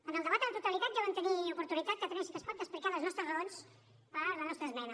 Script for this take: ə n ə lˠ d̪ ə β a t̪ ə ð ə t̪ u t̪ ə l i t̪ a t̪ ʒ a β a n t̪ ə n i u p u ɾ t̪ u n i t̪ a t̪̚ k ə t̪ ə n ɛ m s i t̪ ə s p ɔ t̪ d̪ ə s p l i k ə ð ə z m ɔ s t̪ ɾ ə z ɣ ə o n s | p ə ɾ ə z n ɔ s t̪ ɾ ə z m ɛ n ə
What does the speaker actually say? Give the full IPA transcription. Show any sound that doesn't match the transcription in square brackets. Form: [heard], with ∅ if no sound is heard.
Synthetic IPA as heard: ə n ə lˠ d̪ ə β a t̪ ə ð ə t̪ u t̪ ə l i t̪ a t̪ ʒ a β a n t̪ ə n i u p u ɾ t̪ u n i t̪ a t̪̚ k ə t̪ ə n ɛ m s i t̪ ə s p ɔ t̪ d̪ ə s p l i k [a] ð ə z [n] ɔ s t̪ ɾ ə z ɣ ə o n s | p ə [l] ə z n ɔ s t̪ ɾ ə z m ɛ n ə